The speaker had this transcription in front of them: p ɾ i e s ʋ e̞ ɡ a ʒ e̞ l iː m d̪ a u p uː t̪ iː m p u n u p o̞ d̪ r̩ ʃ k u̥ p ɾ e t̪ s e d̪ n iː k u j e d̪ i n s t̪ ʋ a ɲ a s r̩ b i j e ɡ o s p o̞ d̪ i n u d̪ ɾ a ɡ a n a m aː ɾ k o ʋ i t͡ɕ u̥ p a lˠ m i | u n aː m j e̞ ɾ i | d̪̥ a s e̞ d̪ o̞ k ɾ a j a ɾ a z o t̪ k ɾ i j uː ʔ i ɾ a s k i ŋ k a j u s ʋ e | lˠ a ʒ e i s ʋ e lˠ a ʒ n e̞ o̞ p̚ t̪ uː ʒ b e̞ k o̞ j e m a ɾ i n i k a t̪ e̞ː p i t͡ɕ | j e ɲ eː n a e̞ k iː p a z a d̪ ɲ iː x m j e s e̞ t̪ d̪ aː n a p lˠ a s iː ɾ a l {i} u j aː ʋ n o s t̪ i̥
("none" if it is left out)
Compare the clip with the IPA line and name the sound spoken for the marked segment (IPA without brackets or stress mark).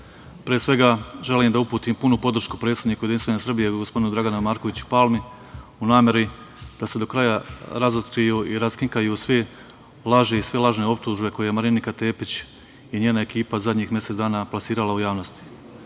a